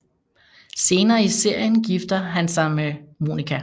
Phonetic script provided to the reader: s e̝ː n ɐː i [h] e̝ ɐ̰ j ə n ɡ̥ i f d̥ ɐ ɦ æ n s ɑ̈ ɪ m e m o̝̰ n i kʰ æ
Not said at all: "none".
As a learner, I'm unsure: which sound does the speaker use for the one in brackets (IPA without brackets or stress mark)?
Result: s